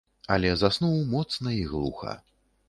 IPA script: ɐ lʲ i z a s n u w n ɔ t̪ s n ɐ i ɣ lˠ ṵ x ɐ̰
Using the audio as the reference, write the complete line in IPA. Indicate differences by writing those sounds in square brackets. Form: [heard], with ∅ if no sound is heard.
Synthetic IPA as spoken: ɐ lʲ [ɛ] z a s n u w [m] ɔ t̪ s n ɐ i ɣ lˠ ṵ x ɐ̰

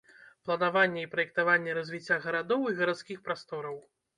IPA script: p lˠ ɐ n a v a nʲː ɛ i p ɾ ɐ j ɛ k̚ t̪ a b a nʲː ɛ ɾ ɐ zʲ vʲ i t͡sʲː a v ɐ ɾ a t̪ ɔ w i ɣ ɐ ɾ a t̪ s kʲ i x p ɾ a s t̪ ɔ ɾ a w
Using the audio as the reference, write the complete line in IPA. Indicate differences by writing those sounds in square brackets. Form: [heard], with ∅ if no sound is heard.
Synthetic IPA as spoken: p lˠ ɐ n a v a nʲː ɛ i p ɾ ɐ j ɛ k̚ t̪ a [v] a nʲː ɛ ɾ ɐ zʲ vʲ i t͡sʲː a [ɣ] ɐ ɾ a [d̪] ɔ w i ɣ ɐ ɾ a t̪ s kʲ i x p ɾ a s t̪ ɔ ɾ [ɐ] w

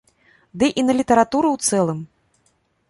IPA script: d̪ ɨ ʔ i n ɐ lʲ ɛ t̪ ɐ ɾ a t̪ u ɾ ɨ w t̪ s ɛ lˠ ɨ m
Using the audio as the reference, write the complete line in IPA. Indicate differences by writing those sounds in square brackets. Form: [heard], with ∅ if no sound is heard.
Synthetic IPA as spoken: d̪ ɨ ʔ i n ɐ lʲ [i] t̪ ɐ ɾ a t̪ u ɾ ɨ w t̪ s ɛ lˠ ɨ m

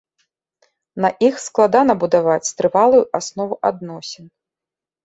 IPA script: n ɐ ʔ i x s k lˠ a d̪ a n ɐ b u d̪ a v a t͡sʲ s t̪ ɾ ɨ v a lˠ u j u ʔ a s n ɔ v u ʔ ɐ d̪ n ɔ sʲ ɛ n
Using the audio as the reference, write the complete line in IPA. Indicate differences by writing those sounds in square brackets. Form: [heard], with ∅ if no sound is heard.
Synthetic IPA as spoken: n ɐ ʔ i x s k lˠ a d̪ a n ɐ b u d̪ a v a t͡sʲ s t̪ ɾ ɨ v a lˠ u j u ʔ a s n ɔ v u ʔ [a] d̪ n ɔ sʲ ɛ n

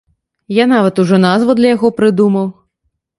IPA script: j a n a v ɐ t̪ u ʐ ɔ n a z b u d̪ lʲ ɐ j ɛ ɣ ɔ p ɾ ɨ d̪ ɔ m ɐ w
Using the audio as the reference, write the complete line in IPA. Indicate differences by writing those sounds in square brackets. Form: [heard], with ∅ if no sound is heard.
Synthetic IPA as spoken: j a n a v ɐ t̪ u ʐ ɔ n a z [v] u d̪ lʲ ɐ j [a] ɣ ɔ p ɾ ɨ d̪ [u] m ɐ w

